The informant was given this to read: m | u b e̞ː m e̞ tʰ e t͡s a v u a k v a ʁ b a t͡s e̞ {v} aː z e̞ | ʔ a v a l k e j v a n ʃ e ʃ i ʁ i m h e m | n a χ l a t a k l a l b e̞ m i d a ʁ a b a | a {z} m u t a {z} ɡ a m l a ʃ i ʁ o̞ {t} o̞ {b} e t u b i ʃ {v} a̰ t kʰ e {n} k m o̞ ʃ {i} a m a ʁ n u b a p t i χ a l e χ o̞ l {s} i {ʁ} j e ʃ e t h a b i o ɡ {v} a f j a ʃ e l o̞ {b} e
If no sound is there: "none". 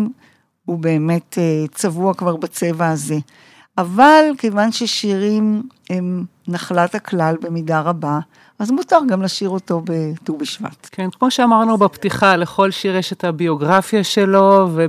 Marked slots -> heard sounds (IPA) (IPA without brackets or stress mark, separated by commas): v, z, ʁ, t, b, v, n, e, ʃ, ʁ, ʁ, v